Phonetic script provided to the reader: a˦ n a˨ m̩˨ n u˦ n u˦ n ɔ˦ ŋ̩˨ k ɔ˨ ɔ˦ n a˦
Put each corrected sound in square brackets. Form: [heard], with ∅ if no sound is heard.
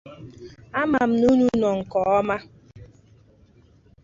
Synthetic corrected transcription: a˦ [m] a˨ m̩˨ n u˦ n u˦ n [ɔ˨] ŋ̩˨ k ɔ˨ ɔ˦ [m] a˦